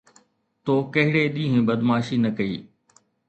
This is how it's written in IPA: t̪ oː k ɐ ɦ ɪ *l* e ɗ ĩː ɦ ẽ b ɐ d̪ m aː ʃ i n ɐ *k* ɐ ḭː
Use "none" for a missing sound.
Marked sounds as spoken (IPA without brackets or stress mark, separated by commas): ɽ, k